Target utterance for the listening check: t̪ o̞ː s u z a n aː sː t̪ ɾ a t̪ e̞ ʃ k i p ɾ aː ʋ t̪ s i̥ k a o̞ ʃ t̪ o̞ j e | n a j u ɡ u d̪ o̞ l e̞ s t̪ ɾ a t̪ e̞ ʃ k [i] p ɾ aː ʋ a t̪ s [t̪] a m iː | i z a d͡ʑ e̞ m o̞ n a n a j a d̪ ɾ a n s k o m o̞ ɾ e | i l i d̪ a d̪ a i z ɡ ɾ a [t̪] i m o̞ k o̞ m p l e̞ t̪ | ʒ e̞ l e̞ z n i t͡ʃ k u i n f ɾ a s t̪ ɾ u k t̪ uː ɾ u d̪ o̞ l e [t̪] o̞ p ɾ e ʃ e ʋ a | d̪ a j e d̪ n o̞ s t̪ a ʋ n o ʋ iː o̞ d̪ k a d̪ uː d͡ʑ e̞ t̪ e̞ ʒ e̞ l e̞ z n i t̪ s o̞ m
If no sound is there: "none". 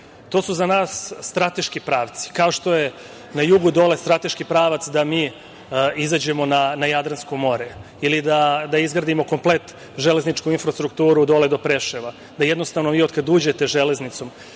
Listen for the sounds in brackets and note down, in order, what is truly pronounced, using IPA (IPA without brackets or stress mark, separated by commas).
i, d̪, d̪, d̪